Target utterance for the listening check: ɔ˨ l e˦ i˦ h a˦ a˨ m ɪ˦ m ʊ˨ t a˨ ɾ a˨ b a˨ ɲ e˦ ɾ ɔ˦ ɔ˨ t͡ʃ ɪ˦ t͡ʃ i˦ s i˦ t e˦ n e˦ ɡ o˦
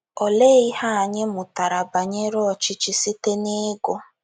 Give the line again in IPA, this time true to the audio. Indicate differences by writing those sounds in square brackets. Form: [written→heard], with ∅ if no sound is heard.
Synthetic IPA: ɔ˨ l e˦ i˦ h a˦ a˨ [m→ɲ] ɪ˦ m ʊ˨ t a˨ ɾ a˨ b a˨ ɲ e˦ ɾ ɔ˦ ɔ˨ t͡ʃ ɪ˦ t͡ʃ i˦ s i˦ t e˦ n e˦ ɡ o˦